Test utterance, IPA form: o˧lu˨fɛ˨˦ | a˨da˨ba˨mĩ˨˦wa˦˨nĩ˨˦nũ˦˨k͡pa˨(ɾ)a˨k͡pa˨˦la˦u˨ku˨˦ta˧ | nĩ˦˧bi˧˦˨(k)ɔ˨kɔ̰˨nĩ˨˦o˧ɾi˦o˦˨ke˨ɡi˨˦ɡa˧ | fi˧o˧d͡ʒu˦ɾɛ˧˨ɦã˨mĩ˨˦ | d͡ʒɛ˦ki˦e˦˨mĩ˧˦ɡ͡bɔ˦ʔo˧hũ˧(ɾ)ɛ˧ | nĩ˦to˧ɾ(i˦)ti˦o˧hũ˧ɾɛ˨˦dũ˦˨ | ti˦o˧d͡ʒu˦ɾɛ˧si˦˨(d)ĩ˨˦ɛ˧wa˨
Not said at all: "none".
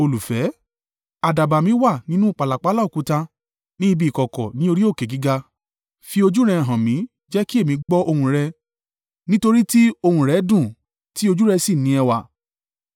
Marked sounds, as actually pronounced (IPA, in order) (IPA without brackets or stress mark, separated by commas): l, k, ɾ, i˦, n